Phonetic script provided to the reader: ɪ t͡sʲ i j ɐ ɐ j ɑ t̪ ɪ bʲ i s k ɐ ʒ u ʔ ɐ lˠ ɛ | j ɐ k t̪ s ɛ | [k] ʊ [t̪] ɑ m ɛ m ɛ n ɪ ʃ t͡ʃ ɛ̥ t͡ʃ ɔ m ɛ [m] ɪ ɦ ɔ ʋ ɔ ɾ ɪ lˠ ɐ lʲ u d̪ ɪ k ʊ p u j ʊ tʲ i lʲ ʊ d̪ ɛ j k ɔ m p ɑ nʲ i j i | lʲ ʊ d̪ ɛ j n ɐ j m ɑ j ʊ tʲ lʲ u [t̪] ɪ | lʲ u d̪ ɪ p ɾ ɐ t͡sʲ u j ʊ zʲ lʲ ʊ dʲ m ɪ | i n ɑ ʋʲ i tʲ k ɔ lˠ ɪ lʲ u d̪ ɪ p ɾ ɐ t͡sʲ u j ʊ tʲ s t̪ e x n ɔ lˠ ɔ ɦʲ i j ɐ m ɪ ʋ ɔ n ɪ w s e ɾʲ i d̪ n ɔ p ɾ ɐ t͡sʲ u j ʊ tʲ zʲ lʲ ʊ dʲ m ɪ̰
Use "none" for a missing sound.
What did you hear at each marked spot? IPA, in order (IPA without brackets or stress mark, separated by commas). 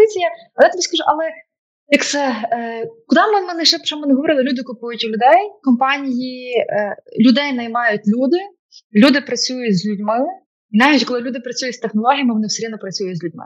k, d̪, n, d̪